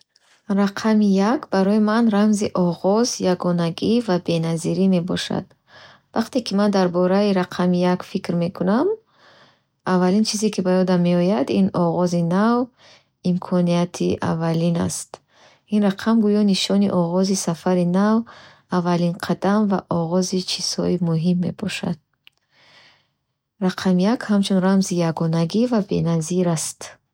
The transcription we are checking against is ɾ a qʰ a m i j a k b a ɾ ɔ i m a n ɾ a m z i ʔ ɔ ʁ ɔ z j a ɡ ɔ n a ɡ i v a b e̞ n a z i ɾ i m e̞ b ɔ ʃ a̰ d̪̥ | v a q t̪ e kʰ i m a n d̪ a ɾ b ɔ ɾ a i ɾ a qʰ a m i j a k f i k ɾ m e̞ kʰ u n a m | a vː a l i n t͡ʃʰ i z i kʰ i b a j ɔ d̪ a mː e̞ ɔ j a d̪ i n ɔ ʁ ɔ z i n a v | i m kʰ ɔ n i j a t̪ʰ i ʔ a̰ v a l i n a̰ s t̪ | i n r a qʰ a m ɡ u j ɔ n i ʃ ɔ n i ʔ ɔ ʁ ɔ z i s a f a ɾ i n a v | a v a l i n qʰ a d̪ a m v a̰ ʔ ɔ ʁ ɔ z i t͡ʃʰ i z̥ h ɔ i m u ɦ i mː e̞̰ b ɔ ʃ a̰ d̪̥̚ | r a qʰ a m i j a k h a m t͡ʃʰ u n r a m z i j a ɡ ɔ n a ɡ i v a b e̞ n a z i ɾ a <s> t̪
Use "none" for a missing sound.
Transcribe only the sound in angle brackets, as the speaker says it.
s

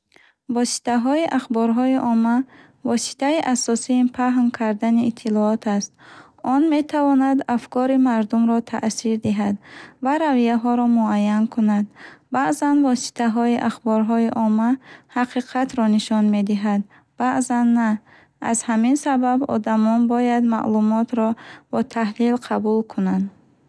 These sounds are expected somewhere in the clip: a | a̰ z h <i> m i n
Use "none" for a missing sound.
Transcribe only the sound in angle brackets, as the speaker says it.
a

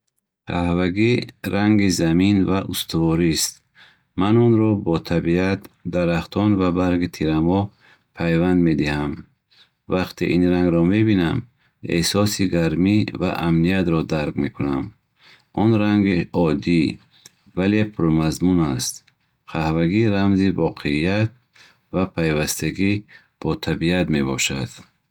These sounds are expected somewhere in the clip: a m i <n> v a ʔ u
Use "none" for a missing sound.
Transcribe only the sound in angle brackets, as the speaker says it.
n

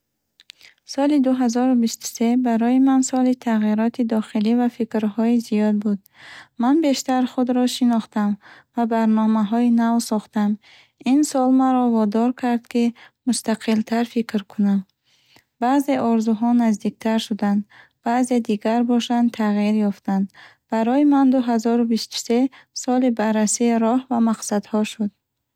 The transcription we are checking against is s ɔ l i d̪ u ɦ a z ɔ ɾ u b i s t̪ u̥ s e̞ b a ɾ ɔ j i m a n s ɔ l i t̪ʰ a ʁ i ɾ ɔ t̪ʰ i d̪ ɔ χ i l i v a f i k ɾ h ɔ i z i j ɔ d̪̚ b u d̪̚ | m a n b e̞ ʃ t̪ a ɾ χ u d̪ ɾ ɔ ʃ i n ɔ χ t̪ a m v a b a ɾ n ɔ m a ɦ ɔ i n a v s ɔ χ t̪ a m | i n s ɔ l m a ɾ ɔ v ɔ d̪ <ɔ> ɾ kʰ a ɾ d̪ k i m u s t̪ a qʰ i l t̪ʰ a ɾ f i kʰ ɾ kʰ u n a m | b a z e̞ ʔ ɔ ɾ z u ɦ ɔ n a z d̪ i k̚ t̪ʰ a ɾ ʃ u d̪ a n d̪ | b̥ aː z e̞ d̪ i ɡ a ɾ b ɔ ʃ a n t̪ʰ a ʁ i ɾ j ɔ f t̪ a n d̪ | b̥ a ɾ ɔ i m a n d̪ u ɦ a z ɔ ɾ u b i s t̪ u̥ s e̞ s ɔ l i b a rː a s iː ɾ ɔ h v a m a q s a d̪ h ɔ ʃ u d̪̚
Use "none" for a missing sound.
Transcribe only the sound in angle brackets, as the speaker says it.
ɔ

